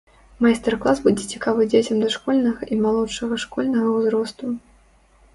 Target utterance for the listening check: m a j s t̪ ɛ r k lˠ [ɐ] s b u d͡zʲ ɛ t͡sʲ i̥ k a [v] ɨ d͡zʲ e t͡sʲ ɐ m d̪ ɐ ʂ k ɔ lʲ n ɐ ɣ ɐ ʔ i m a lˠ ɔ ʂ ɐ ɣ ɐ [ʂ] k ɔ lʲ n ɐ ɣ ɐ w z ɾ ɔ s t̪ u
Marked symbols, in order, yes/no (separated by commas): no, yes, yes